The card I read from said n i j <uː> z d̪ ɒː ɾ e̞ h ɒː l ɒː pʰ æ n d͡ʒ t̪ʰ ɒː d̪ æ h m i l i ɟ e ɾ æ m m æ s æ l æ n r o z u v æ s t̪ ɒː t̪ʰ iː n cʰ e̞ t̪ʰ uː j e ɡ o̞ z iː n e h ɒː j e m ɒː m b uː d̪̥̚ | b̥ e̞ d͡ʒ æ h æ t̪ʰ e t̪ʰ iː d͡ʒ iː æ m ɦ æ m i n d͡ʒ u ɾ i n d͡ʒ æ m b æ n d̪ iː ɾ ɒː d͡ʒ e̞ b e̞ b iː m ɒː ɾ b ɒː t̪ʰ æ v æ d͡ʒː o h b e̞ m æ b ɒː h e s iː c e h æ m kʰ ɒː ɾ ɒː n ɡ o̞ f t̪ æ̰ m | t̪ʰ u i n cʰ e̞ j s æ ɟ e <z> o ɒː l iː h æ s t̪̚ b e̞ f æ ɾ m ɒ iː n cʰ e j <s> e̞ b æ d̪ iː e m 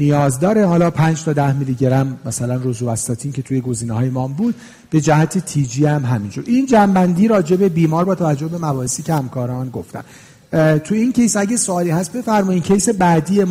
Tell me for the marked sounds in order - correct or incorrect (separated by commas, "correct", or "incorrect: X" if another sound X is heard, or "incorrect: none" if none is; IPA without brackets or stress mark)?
incorrect: ɒː, incorrect: s, correct